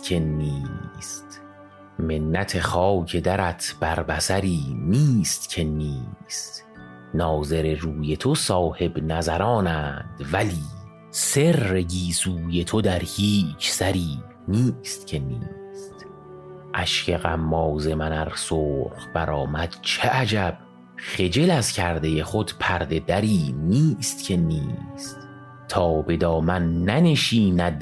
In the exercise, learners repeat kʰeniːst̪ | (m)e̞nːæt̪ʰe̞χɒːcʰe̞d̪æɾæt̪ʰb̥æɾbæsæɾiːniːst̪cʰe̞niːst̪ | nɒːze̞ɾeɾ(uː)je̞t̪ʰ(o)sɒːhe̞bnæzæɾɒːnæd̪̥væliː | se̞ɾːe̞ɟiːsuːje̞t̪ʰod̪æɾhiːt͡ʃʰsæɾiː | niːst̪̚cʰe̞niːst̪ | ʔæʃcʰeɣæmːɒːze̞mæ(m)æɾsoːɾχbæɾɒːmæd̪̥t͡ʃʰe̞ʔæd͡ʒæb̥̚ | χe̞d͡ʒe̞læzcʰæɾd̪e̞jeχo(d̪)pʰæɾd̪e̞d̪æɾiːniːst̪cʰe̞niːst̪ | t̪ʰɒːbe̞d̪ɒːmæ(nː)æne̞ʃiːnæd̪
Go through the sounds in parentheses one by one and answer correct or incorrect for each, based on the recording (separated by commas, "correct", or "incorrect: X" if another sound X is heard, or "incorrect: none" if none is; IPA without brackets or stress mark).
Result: correct, correct, correct, incorrect: n, correct, correct